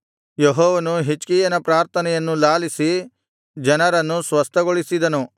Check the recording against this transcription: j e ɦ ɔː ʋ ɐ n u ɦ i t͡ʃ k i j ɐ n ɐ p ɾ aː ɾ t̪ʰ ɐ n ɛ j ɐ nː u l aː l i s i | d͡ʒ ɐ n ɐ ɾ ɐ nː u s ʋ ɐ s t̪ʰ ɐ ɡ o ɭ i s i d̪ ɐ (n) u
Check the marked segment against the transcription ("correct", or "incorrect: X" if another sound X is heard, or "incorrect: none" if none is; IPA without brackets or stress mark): correct